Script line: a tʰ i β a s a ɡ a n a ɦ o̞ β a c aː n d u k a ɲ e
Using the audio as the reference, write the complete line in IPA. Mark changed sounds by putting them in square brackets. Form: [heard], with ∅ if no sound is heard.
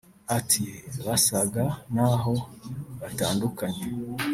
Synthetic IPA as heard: a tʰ i β a s a ɡ a n a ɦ o̞ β a [t] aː n d u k a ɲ e